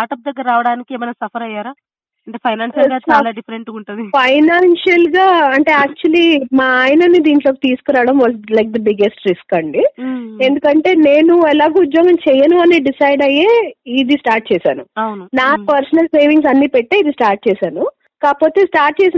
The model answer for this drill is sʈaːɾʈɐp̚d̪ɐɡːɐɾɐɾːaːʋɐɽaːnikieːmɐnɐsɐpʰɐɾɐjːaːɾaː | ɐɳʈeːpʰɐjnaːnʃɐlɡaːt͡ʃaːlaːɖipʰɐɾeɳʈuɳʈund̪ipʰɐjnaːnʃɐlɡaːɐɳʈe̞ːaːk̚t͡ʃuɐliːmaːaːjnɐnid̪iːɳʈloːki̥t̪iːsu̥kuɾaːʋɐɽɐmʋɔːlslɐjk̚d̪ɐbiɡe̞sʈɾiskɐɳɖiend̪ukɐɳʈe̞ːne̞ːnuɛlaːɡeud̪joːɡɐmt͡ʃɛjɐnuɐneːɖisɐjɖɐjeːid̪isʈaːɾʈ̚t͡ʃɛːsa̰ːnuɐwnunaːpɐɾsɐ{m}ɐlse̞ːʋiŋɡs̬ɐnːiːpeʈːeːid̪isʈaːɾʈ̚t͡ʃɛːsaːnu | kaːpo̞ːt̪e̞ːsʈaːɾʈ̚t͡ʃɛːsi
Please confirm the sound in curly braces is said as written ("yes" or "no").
no